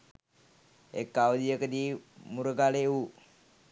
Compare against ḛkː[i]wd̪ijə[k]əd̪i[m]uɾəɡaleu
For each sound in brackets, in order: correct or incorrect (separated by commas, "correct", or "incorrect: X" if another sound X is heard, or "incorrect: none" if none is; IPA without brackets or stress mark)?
incorrect: a, correct, correct